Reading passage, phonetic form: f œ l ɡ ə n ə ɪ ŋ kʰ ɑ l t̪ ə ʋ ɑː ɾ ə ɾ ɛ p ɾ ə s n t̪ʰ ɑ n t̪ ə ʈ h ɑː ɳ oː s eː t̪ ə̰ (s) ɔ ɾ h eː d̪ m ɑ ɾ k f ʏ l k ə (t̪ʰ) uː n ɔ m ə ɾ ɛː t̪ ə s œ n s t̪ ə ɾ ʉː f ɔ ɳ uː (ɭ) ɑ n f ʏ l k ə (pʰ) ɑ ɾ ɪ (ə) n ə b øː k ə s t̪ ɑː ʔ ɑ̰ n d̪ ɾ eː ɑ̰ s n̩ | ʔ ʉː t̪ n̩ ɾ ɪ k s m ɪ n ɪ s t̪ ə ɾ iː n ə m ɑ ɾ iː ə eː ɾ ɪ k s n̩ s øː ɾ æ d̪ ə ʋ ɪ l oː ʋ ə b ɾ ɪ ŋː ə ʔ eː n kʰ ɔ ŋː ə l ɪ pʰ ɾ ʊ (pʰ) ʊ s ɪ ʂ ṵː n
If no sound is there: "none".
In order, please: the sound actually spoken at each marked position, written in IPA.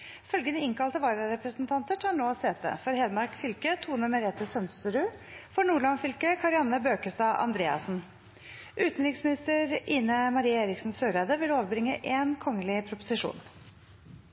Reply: f, t̪ʰ, ɭ, kʰ, ɑ, p

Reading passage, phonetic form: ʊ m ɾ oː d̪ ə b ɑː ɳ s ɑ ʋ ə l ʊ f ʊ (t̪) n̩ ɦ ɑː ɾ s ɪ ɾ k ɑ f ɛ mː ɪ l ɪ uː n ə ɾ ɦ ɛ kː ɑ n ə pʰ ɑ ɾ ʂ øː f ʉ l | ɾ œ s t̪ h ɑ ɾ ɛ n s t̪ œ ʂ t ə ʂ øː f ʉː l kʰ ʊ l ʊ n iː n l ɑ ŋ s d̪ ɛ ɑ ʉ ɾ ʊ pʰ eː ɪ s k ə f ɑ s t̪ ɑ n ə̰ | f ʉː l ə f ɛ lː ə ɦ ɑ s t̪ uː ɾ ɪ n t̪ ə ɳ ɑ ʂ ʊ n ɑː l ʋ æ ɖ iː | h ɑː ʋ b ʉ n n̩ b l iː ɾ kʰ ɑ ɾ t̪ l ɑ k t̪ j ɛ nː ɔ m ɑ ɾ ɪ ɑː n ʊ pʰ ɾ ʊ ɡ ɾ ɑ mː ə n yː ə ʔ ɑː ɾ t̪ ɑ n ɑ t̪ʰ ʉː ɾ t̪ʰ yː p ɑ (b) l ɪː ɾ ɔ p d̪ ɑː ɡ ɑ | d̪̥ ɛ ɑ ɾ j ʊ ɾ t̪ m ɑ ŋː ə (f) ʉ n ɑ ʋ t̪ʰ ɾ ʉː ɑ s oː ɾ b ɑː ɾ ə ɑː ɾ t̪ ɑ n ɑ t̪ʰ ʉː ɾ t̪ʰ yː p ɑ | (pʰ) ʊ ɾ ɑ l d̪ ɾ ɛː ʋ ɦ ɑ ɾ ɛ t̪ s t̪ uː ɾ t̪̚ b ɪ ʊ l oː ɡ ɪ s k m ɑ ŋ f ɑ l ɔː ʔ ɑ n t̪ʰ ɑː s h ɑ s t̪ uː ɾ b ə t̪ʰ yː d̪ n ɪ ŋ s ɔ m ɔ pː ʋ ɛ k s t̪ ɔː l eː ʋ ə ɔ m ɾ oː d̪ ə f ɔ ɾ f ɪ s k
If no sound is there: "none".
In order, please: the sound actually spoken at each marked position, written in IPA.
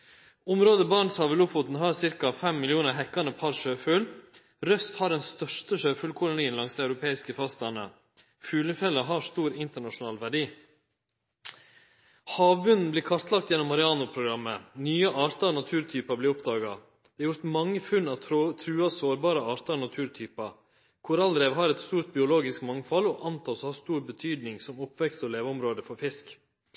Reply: t̪, b, f, kʰ

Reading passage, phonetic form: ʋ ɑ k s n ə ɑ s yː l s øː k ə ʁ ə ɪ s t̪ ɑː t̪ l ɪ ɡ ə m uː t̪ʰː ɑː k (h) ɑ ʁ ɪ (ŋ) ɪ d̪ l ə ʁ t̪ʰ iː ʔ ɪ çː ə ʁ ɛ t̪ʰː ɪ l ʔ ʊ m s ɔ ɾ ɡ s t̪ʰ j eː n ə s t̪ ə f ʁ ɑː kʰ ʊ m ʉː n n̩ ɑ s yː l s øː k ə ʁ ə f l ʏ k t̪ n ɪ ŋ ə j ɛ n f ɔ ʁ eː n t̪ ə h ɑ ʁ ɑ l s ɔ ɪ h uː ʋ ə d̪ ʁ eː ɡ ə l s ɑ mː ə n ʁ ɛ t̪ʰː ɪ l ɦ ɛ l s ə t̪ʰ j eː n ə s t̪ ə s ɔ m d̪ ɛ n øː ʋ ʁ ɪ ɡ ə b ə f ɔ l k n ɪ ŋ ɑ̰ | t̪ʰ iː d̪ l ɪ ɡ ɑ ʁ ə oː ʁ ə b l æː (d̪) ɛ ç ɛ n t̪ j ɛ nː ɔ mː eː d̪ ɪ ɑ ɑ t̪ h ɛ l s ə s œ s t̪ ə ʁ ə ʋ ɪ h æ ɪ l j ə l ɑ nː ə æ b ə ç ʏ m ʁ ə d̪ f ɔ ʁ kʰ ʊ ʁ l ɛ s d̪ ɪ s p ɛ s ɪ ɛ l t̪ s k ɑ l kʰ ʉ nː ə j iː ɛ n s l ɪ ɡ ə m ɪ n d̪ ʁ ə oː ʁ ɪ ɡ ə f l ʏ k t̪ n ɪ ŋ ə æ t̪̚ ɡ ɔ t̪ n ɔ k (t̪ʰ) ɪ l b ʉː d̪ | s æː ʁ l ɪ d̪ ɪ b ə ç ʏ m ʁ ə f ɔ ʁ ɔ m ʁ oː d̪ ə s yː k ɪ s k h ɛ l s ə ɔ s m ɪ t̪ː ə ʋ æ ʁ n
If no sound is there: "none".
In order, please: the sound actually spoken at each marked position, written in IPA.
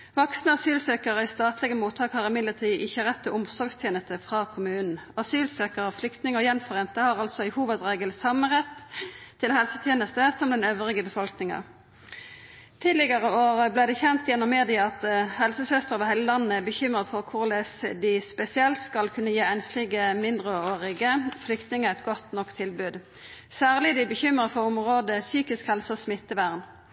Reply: h, m, d̪, t̪ʰ

